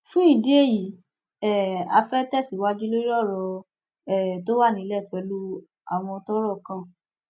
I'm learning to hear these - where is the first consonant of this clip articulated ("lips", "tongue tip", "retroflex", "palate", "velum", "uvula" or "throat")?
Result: lips